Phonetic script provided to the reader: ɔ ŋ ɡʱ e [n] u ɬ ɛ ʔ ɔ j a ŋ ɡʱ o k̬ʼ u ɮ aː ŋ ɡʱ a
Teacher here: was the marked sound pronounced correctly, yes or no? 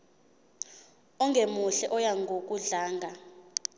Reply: no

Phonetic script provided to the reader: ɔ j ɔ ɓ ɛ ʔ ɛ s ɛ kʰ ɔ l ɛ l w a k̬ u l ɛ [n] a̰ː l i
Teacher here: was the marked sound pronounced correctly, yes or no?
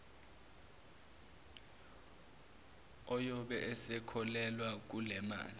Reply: no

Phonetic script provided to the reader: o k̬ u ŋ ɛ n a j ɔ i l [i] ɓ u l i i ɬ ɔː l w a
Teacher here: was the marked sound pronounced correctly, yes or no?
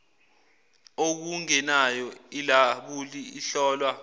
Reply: no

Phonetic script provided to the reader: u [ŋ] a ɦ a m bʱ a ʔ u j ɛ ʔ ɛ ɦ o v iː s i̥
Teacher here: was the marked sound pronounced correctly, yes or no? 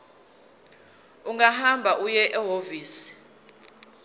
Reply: yes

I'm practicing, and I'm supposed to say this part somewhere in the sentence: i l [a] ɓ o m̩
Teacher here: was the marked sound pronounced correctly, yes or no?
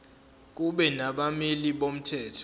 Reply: no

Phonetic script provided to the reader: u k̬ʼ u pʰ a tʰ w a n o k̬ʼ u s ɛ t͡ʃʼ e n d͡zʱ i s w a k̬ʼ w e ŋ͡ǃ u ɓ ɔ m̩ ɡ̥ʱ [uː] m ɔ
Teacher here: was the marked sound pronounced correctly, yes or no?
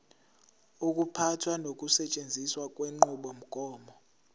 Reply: no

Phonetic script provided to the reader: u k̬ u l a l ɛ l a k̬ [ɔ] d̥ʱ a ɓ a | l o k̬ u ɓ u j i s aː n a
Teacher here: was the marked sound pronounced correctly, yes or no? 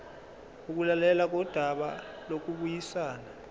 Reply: yes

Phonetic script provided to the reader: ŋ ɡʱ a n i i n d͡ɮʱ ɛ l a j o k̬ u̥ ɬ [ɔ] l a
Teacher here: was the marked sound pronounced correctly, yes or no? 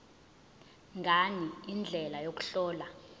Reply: no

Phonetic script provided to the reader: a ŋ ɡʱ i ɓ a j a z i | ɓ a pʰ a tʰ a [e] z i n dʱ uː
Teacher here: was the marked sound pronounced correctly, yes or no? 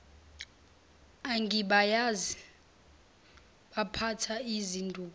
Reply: no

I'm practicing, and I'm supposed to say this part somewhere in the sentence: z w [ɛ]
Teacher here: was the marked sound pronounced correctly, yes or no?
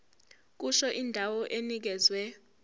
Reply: yes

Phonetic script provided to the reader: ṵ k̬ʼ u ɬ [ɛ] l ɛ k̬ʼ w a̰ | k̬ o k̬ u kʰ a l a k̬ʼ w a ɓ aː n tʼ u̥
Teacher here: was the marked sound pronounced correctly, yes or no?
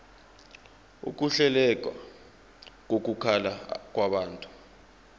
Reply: yes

